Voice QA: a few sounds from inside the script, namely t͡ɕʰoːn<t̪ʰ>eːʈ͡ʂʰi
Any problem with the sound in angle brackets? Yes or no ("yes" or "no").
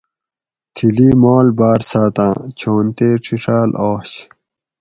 yes